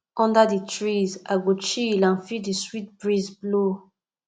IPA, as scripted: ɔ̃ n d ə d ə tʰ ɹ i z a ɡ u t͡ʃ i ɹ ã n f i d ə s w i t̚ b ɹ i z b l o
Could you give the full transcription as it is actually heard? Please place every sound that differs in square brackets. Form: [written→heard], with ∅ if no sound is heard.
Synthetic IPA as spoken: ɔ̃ n d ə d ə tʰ ɹ i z a ɡ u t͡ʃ i [ɹ→l] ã n f i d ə s w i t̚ b ɹ i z b l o